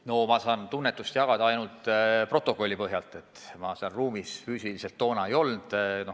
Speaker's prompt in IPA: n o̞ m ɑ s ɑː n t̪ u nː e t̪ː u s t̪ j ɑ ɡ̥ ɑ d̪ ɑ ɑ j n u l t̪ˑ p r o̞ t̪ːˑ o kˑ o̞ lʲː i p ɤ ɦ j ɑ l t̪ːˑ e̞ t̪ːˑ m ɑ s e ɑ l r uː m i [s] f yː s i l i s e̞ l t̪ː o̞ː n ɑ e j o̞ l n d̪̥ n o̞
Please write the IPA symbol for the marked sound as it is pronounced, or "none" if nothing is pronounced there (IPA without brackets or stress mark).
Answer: s